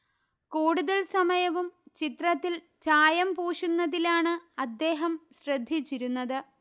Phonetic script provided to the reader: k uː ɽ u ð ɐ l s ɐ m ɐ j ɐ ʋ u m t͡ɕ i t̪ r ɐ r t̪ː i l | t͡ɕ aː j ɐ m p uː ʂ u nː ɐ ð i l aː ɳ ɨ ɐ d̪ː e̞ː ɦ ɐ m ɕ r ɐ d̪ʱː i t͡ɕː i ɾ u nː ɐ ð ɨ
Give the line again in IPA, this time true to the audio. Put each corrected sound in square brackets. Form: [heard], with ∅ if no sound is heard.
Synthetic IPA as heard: k uː ɽ u ð ɐ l s ɐ m ɐ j ɐ ʋ u m t͡ɕ i t̪ r ɐ [∅] t̪ː i l | t͡ɕ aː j ɐ m p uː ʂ u nː ɐ ð i l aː ɳ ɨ ɐ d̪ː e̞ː ɦ ɐ m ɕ r ɐ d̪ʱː i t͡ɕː i ɾ u nː ɐ ð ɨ

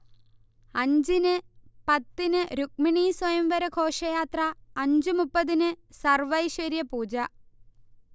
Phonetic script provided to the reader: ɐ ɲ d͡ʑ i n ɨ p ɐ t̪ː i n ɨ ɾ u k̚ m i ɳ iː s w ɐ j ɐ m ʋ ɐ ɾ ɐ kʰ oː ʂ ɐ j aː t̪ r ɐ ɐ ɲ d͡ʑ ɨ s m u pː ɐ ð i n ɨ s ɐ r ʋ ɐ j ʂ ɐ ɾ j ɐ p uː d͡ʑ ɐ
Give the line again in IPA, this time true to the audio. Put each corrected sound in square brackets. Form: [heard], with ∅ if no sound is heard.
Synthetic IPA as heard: ɐ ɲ d͡ʑ i n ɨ p ɐ t̪ː i n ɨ ɾ u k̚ m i ɳ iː s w ɐ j ɐ m ʋ ɐ ɾ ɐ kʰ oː ʂ ɐ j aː t̪ r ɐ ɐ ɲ d͡ʑ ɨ [∅] m u pː ɐ ð i n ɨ s ɐ r ʋ ɐ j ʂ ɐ ɾ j ɐ p uː d͡ʑ ɐ

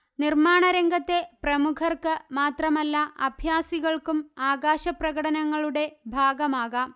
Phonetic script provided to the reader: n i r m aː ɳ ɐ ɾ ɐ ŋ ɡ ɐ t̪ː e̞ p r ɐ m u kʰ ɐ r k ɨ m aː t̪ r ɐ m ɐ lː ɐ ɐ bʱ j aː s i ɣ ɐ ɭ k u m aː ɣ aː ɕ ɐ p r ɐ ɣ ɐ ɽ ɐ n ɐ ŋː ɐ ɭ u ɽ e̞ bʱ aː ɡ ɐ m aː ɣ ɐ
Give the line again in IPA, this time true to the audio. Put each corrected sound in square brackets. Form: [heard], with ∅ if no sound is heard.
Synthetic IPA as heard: n i r m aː ɳ ɐ ɾ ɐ ŋ ɡ ɐ t̪ː e̞ p r ɐ m u kʰ ɐ r k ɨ m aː t̪ r ɐ m ɐ lː ɐ ɐ bʱ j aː s i ɣ ɐ ɭ k u m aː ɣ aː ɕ ɐ p r ɐ ɣ ɐ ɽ ɐ n ɐ ŋː ɐ ɭ u ɽ e̞ bʱ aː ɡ ɐ m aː ɣ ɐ

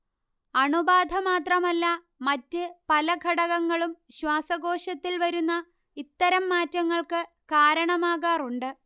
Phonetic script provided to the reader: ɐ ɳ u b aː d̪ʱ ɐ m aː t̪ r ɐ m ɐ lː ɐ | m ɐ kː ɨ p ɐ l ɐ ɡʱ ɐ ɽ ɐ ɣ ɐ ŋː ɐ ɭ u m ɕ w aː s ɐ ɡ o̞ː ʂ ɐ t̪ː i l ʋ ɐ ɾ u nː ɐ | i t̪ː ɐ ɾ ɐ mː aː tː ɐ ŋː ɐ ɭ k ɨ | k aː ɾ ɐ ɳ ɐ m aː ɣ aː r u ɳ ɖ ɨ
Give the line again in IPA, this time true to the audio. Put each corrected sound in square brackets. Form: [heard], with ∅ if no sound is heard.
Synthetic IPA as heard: ɐ ɳ u b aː d̪ʱ ɐ m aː t̪ r ɐ m ɐ lː ɐ | m ɐ [tː] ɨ p ɐ l ɐ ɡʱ ɐ ɽ ɐ ɣ ɐ ŋː ɐ ɭ u m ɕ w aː s ɐ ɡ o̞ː ʂ ɐ t̪ː i l ʋ ɐ ɾ u nː ɐ | i t̪ː ɐ ɾ ɐ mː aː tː ɐ ŋː ɐ ɭ k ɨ | k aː ɾ ɐ ɳ ɐ m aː ɣ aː r u ɳ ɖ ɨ

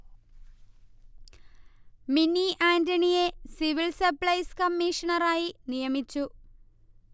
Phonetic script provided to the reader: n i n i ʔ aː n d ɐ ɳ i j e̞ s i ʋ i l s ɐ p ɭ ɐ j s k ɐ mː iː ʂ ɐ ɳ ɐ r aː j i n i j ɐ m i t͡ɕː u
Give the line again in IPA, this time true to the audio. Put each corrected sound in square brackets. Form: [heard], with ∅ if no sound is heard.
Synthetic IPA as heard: [m] i n i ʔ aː n d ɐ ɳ i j e̞ s i ʋ i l s ɐ p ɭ ɐ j s k ɐ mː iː ʂ ɐ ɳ ɐ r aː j i n i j ɐ m i t͡ɕː u

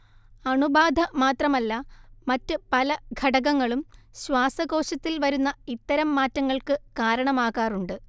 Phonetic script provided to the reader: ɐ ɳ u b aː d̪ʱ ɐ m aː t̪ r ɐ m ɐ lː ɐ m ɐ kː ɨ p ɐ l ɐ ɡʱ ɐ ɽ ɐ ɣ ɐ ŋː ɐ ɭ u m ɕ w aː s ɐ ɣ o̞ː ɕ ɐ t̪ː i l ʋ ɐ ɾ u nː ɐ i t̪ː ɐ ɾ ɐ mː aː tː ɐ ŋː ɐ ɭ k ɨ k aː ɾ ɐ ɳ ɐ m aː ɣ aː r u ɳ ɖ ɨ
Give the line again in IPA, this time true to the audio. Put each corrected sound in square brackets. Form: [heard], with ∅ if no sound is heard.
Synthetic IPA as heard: ɐ ɳ u b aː d̪ʱ ɐ m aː t̪ r ɐ m ɐ lː ɐ m ɐ [tː] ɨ p ɐ l ɐ ɡʱ ɐ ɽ ɐ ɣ ɐ ŋː ɐ ɭ u m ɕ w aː s ɐ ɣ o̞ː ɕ ɐ t̪ː i l ʋ ɐ ɾ u nː ɐ i t̪ː ɐ ɾ ɐ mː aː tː ɐ ŋː ɐ ɭ k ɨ k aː ɾ ɐ ɳ ɐ m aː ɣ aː r u ɳ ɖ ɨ

